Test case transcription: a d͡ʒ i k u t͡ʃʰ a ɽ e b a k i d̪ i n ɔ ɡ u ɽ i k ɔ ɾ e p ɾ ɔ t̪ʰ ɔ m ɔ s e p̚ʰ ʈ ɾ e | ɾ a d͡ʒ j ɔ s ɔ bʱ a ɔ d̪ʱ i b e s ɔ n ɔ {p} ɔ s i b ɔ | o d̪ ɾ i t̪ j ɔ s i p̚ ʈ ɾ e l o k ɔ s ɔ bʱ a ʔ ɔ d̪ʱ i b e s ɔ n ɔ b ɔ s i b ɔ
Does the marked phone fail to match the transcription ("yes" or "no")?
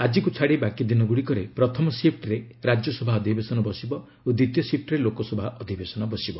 yes